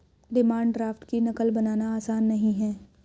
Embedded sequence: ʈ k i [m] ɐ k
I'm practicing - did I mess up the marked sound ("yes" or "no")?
yes